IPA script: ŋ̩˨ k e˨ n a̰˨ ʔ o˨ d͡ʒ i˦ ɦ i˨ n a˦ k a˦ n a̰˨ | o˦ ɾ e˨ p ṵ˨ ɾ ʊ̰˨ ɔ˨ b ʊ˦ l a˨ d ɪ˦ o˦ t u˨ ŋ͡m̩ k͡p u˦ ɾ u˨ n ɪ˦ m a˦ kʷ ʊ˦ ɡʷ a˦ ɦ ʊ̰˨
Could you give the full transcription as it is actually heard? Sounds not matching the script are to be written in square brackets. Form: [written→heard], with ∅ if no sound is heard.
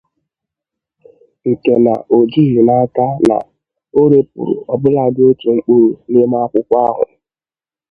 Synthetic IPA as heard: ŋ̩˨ k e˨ n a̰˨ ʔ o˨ d͡ʒ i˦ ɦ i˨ n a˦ k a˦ n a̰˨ | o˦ ɾ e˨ p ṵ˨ ɾ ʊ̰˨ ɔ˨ b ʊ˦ l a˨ d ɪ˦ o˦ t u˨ ŋ͡m̩ k͡p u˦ ɾ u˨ n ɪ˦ m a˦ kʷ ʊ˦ [ɡʷ→kʷ] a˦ ɦ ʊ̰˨

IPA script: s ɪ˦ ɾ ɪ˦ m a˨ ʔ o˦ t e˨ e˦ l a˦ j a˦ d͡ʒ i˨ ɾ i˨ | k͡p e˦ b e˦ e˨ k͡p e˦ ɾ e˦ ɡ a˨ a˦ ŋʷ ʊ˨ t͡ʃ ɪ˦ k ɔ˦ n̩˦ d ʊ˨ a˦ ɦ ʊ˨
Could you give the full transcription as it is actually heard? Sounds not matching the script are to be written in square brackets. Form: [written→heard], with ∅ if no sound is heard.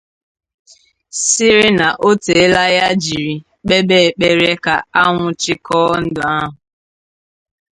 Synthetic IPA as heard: s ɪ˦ ɾ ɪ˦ [m→n] a˨ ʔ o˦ t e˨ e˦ l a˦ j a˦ d͡ʒ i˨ ɾ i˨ | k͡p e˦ b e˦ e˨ k͡p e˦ ɾ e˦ [ɡ→k] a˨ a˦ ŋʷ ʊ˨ t͡ʃ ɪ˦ k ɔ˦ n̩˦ d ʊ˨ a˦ ɦ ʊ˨

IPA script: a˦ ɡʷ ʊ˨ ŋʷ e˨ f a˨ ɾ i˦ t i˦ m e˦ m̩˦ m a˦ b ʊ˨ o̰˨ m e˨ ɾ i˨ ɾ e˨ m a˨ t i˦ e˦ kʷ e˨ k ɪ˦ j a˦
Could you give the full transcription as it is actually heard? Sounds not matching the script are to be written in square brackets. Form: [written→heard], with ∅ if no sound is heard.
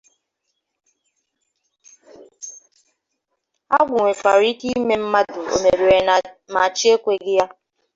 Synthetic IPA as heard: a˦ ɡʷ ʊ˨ ŋʷ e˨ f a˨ ɾ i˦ t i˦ m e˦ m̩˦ m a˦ [b→d] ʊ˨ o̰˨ m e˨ ɾ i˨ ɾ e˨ m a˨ [t→t͡ʃ] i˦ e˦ kʷ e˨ [k→ɡ] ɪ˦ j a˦

